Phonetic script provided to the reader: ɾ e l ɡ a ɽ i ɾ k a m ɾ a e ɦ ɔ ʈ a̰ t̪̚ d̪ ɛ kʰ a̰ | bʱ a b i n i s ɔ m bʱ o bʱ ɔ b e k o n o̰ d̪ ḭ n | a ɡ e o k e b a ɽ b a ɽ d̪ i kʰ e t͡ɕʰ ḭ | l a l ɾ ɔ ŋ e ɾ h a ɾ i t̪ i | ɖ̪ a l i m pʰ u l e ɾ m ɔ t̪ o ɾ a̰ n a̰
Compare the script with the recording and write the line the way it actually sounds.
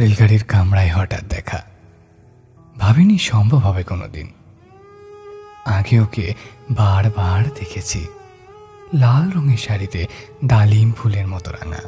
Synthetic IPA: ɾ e l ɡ a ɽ i ɾ k a m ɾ a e ɦ ɔ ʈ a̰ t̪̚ d̪ ɛ kʰ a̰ | bʱ a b i n i ʃ ɔ m bʱ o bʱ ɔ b e k o n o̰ d̪ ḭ n | a ɡ e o k e b a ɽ b a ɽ d̪ e kʰ e t͡ɕʰ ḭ | l a l ɾ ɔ ŋ e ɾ ʃ a ɾ i t̪ e | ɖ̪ a l i m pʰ u l e ɾ m ɔ t̪ o ɾ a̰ n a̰